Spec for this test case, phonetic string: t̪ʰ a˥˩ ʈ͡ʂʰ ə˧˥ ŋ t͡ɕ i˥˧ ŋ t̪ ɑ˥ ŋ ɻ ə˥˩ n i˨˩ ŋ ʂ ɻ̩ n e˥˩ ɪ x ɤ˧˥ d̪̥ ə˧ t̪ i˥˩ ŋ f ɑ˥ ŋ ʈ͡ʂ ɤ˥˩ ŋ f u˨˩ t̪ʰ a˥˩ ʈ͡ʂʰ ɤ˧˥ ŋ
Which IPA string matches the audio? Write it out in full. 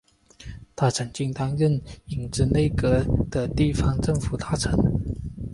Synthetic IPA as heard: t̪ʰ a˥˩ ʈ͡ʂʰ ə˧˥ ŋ t͡ɕ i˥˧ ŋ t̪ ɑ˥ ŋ ɻ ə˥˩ n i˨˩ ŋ ʈ͡ʂ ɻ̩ n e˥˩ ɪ k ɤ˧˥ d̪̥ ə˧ t̪ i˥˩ f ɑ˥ ŋ ʈ͡ʂ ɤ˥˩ ŋ f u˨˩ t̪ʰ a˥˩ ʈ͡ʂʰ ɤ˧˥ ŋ